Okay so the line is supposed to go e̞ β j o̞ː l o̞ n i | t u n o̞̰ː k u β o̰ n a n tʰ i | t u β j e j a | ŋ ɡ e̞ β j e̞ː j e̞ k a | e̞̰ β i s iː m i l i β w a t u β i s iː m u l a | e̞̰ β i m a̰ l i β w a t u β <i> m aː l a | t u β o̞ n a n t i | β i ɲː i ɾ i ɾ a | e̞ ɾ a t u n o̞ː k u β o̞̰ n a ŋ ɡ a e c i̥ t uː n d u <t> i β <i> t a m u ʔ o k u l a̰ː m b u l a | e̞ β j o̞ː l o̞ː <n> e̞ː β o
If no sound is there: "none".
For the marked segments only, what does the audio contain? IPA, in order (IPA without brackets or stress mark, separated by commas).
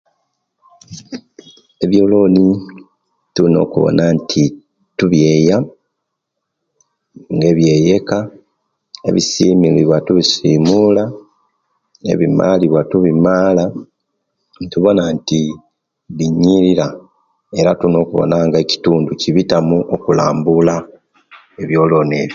i, c, i, n